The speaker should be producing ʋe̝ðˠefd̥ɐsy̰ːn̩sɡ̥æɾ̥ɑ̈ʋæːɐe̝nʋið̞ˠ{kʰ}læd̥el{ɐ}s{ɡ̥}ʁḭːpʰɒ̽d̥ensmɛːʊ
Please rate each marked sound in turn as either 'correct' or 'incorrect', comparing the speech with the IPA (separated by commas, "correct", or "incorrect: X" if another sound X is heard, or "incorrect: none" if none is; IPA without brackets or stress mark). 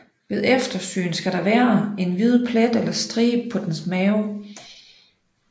incorrect: pʰ, correct, incorrect: d̥